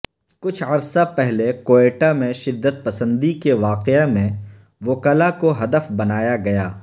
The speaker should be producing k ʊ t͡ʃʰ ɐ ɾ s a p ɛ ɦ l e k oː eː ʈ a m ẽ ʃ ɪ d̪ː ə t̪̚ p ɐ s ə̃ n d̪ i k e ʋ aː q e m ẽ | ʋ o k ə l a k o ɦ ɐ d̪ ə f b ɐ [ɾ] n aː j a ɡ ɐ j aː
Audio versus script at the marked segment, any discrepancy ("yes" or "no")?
yes